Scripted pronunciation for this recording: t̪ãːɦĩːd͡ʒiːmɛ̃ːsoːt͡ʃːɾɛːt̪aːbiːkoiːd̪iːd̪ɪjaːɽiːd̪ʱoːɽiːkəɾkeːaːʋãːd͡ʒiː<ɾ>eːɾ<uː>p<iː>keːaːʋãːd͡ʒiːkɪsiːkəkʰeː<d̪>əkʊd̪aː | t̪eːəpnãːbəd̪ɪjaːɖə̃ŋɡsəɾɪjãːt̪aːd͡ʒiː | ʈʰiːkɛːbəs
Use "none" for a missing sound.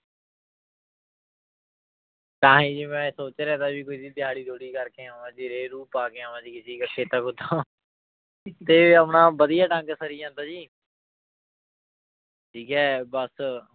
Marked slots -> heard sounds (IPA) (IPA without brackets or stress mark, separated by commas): ɾ, uː, aː, t̪